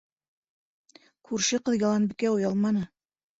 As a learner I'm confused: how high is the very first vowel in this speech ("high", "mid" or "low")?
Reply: high